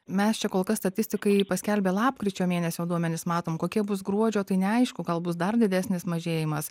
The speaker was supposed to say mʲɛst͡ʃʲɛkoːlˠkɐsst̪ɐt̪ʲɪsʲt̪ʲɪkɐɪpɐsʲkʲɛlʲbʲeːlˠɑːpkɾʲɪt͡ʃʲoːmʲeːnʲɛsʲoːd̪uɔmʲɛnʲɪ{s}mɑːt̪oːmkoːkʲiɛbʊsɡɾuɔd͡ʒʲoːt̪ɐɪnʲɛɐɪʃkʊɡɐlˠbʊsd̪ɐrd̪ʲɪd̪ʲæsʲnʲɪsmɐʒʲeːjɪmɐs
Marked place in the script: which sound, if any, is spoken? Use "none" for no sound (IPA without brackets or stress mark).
s